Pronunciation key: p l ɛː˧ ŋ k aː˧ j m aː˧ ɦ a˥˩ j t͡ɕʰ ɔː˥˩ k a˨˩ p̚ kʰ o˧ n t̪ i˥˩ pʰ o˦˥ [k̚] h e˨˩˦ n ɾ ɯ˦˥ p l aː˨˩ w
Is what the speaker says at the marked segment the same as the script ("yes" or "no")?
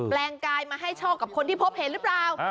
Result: no